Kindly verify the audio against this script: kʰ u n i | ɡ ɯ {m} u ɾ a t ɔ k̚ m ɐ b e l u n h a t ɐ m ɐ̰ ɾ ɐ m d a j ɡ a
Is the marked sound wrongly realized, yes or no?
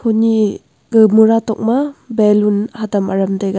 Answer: no